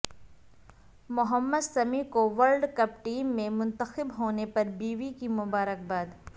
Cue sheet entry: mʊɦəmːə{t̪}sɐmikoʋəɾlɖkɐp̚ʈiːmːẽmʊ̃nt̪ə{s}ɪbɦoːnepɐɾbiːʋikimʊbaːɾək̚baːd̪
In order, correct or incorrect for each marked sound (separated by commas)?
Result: incorrect, incorrect